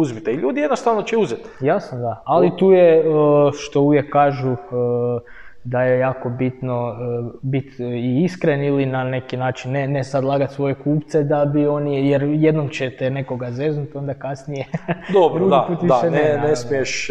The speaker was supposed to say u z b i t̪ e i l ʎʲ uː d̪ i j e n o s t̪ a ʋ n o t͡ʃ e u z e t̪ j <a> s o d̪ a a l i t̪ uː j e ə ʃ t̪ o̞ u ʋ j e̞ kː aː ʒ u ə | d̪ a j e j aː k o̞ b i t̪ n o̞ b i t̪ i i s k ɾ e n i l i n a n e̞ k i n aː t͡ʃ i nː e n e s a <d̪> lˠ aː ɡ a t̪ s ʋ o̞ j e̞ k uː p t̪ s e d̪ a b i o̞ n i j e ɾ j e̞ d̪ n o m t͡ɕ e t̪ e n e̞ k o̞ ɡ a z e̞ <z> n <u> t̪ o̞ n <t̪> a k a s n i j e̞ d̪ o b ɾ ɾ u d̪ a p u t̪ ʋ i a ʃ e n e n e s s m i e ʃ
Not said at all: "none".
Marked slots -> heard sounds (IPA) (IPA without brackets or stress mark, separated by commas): a, d̪, z, u, d̪